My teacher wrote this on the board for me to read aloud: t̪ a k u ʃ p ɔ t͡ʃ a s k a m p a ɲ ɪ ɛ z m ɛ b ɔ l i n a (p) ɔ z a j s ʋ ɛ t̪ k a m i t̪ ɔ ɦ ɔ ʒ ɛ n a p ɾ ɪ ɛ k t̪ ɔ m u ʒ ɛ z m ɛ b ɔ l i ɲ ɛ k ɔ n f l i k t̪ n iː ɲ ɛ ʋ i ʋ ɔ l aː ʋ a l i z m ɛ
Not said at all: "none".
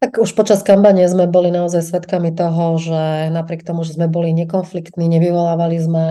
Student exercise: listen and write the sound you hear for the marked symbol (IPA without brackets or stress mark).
none